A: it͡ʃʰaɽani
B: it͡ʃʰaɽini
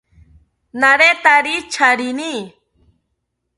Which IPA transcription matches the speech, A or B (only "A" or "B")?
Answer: B